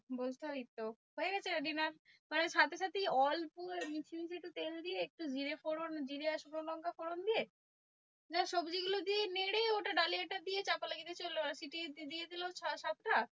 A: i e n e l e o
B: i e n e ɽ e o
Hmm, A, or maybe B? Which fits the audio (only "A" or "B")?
B